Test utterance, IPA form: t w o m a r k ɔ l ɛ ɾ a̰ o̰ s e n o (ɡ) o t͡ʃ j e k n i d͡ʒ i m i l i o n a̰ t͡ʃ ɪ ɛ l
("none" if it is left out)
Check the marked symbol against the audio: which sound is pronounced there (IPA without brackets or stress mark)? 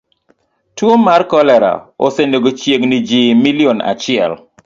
ɡ